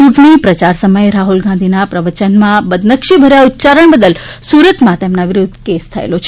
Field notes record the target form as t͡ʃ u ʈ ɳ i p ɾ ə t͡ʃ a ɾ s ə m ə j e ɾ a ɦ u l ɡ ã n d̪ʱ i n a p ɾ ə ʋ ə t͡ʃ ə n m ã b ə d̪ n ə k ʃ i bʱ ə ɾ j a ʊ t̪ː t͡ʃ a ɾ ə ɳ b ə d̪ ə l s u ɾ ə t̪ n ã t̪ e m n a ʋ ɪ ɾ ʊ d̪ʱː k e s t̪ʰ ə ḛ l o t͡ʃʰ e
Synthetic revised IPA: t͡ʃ u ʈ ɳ i p ɾ ə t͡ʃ a ɾ s ə m ə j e ɾ a ɦ u l ɡ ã n d̪ʱ i n a p ɾ ə ʋ ə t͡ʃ ə n m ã b ə d̪ n ə k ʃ i bʱ ə ɾ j a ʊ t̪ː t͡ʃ a ɾ ə ɳ b ə d̪ ə l s u ɾ ə t̪ m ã t̪ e m n a ʋ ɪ ɾ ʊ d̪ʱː k e s t̪ʰ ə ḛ l o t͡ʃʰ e